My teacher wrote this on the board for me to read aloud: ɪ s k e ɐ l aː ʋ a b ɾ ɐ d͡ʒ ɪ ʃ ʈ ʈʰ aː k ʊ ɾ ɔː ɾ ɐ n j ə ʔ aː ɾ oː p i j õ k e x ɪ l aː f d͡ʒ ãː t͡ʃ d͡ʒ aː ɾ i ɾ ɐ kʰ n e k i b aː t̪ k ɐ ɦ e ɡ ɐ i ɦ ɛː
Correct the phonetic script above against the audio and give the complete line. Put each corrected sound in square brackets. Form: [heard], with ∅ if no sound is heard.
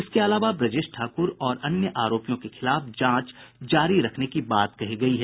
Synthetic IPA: ɪ s k e ɐ l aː ʋ a b ɾ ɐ d͡ʒ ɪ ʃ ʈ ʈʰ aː k ʊ ɾ ɔː ɾ ɐ n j ə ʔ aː ɾ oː p i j õ k e x ɪ l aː f d͡ʒ ãː t͡ʃ d͡ʒ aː ɾ i ɾ ɐ kʰ n e k i b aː t̪ k ɐ ɦ [i] ɡ ɐ i ɦ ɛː